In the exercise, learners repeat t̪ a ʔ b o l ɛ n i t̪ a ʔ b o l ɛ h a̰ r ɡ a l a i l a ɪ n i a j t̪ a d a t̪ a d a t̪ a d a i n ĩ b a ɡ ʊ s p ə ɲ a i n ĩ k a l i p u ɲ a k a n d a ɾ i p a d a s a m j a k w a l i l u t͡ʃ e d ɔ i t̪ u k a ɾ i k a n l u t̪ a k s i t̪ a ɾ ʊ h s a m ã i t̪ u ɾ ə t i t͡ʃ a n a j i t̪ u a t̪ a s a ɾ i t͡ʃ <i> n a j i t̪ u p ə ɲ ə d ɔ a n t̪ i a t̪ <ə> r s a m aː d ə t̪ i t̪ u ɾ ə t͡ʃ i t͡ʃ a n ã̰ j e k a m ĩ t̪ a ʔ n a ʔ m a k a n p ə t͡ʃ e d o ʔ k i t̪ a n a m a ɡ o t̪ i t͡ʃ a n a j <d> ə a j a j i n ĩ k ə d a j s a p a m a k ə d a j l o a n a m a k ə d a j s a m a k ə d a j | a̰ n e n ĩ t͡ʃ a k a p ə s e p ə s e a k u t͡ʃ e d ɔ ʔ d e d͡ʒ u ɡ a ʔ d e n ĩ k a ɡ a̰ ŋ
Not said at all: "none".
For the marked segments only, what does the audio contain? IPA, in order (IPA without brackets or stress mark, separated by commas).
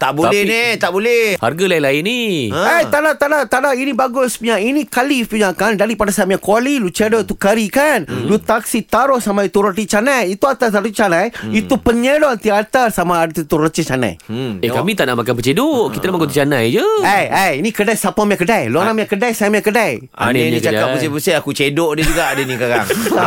a, a, d͡ʒ